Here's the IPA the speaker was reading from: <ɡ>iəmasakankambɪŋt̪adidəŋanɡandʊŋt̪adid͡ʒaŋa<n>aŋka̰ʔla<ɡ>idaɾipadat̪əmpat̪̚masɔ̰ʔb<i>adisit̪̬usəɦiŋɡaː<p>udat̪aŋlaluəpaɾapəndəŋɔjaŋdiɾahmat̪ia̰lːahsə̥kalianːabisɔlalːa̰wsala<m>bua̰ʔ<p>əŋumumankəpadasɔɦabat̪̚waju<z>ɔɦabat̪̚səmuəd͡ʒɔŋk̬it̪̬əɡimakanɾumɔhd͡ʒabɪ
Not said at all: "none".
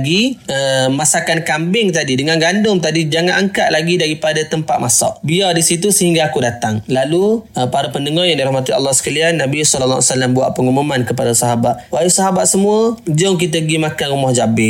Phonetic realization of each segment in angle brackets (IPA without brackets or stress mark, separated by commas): ɡ, n, ɡ, i, k, m, p, s